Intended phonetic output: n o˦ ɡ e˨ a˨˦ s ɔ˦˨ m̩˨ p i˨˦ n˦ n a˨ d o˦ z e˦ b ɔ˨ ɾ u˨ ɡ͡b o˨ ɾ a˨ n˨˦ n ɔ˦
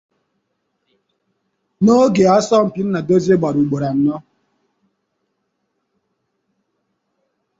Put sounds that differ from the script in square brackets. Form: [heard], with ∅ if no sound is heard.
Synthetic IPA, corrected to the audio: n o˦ ɡ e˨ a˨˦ s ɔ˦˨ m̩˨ p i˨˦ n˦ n a˨ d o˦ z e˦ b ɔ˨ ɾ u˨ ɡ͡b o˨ ɾ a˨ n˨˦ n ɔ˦